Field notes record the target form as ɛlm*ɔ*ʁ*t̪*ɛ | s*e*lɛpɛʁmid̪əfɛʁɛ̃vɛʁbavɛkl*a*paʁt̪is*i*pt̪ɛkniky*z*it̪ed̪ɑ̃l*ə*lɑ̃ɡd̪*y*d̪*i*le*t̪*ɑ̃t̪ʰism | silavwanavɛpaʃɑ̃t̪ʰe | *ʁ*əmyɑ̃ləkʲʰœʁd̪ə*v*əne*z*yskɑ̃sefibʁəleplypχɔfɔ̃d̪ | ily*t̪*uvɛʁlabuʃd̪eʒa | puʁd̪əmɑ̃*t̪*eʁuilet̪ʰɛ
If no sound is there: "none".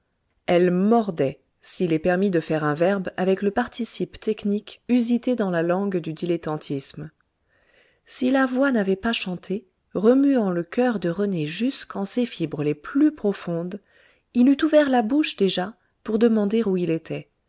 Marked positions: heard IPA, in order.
ɔ, d̪, i, ə, i, z, a, y, i, t̪, ʁ, ʁ, ʒ, t̪, d̪

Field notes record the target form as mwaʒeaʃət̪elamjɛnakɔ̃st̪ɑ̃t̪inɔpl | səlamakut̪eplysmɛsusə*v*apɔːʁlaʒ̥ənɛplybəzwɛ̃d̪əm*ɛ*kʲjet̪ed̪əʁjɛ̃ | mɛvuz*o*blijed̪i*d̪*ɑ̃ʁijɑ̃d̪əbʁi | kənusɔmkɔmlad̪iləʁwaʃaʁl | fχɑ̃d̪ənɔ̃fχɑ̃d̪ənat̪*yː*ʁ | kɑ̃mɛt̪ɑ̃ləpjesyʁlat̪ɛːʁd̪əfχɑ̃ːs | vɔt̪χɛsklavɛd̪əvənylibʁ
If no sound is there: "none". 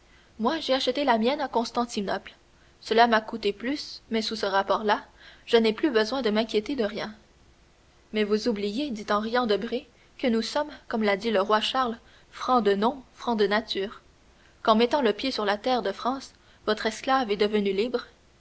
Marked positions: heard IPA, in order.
ʁ, ɛ̃, u, t̪, yː

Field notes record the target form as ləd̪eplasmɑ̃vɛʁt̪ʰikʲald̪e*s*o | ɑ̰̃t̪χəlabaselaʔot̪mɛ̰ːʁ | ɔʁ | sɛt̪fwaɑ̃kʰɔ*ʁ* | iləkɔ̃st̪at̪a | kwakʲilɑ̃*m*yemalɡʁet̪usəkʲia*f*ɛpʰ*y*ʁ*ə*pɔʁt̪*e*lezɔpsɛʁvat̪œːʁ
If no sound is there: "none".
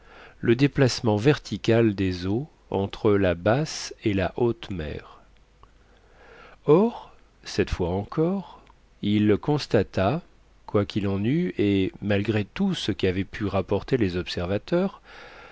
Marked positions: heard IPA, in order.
z, ʁ, n, v, y, a, e

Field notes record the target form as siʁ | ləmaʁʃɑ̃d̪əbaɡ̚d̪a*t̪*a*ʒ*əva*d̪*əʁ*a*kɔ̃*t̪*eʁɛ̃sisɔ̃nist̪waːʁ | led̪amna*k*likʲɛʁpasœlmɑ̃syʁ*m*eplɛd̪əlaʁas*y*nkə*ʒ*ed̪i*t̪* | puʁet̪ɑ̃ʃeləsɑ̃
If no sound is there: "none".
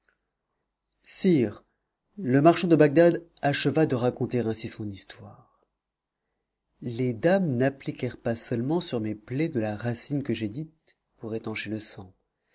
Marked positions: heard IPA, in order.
d̪, ʃ, d̪, a, t̪, p, m, i, ʒ, t̪

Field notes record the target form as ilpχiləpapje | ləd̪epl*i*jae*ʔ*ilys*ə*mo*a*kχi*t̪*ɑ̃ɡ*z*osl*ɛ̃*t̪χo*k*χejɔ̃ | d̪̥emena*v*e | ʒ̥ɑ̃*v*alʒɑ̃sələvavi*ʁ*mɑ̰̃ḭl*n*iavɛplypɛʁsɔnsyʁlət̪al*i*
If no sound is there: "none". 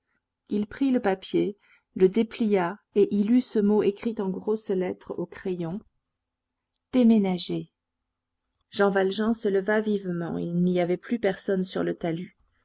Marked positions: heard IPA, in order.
i, ʔ, ə, e, t̪, ʁ, ɛ, k, ʒ, v, v, n, y

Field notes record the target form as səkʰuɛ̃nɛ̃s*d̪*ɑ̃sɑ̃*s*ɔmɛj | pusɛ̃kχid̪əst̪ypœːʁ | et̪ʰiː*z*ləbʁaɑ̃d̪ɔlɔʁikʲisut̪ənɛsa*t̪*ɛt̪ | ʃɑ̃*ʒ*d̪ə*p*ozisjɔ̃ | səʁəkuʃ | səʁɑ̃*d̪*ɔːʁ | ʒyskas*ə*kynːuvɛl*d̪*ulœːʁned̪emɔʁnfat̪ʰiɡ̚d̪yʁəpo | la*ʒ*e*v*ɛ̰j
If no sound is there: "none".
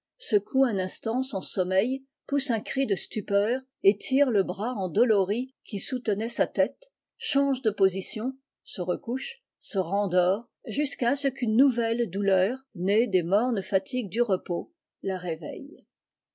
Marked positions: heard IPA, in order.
t̪, s, ʁ, t̪, ʒ, p, d̪, ə, d̪, ʁ, v

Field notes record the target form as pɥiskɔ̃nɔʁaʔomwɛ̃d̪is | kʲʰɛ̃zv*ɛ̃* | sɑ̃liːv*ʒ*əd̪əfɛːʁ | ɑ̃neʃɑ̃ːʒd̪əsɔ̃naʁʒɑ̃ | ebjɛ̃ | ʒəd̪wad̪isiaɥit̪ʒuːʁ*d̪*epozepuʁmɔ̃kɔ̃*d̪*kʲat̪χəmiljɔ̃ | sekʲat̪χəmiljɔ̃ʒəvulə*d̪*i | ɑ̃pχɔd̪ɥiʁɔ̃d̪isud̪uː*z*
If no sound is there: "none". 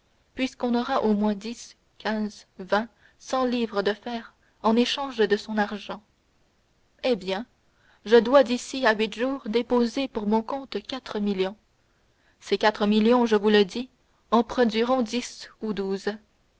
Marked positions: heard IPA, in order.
ɛ̃, ʁ, d̪, t̪, d̪, z

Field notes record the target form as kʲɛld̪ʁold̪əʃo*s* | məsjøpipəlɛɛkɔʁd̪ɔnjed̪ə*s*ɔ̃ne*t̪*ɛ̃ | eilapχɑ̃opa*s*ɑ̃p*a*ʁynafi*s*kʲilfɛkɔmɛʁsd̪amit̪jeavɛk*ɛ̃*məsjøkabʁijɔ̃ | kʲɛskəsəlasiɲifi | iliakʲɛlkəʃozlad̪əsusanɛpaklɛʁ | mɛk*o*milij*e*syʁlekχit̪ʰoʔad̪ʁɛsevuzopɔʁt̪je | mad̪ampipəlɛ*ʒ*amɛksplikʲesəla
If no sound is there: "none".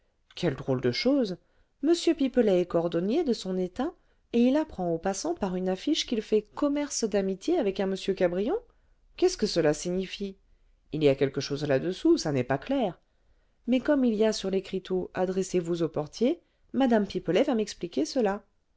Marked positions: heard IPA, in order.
z, s, t̪, s, a, ʃ, ɛ̃, ɔ, a, v

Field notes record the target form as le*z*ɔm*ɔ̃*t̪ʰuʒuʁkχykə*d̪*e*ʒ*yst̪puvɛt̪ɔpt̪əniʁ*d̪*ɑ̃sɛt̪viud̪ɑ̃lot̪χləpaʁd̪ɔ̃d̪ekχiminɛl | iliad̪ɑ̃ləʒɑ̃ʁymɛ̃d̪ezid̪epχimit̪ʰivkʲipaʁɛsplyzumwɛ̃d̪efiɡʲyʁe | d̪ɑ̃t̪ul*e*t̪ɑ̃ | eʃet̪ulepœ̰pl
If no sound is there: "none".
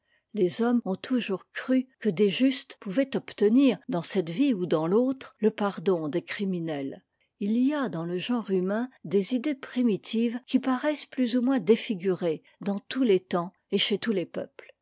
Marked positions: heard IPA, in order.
z, ɔ̃, d̪, ʒ, d̪, e

